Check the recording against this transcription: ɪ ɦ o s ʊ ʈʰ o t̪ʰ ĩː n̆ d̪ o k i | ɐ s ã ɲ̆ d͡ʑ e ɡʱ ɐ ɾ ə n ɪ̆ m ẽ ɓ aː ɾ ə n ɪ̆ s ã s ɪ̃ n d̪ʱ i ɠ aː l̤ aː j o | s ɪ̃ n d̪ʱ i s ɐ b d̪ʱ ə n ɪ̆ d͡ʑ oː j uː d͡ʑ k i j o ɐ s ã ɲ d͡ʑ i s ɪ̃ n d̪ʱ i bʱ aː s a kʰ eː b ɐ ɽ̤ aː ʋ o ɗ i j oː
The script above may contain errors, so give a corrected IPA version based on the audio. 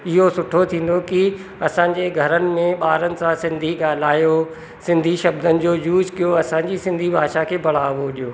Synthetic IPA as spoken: ɪ ɦ o s ʊ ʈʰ o t̪ʰ ĩː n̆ d̪ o k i | ɐ s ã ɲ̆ d͡ʑ e ɡʱ ɐ ɾ ə n ɪ̆ m ẽ ɓ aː ɾ ə n ɪ̆ s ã s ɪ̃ n d̪ʱ i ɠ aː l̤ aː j o | s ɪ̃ n d̪ʱ i ʃ ɐ b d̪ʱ ə n ɪ̆ d͡ʑ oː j uː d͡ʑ k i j o ɐ s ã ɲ d͡ʑ i s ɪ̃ n d̪ʱ i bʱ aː ʃ a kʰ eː b ɐ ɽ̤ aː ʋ o ɗ i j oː